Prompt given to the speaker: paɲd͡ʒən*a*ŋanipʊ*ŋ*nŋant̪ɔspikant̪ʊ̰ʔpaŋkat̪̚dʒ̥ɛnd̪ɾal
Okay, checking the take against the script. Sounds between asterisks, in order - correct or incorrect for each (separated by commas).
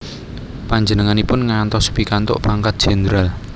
incorrect, incorrect